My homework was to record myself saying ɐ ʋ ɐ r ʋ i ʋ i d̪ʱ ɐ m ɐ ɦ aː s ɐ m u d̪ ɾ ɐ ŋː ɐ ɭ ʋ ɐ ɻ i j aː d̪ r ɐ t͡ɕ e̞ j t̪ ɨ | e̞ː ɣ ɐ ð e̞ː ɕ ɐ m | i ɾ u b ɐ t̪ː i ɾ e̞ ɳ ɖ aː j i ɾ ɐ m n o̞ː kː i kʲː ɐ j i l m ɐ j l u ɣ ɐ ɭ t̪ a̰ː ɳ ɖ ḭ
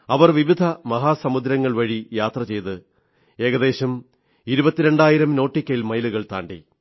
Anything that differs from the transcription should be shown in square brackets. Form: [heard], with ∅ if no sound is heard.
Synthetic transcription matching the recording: ɐ ʋ ɐ r ʋ i ʋ i d̪ʱ ɐ m ɐ ɦ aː s ɐ m u d̪ ɾ ɐ ŋː ɐ ɭ ʋ ɐ ɻ i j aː [t̪] r ɐ t͡ɕ e̞ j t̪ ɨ | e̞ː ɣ ɐ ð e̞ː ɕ ɐ m | i ɾ u b ɐ t̪ː i ɾ e̞ ɳ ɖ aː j i ɾ ɐ m n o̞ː [ʈː] i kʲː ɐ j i l m ɐ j l u ɣ ɐ ɭ t̪ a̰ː ɳ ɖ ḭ